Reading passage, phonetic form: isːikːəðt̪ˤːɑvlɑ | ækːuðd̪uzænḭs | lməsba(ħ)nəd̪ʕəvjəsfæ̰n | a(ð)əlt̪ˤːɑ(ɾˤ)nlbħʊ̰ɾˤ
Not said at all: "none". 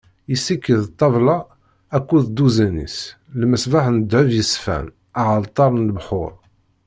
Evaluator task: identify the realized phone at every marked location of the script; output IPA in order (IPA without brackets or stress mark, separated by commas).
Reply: ħ, ʕ, ɾˤ